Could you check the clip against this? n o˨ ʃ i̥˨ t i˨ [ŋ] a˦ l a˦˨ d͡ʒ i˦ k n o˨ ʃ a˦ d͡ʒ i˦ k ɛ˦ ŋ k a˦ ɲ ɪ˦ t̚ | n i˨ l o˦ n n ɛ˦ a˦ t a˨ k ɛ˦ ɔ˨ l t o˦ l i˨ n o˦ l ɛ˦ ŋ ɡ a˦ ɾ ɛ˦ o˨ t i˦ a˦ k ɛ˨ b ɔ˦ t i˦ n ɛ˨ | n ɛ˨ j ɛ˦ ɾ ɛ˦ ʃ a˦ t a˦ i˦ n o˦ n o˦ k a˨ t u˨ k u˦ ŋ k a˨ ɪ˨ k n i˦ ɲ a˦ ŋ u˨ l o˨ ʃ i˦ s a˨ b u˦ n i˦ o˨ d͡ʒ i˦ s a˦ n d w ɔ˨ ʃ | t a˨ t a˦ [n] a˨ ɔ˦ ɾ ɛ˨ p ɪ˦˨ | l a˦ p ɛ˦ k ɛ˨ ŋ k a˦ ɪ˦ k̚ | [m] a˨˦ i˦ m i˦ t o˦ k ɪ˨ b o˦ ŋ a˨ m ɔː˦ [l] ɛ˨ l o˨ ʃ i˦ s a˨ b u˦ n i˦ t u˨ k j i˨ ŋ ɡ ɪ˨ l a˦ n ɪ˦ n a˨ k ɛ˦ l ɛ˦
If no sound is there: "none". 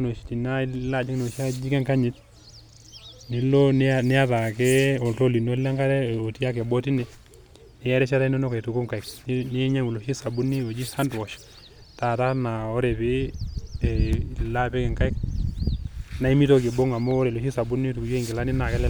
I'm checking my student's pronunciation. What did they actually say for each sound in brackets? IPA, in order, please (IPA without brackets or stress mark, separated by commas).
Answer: n, n, n, ɾ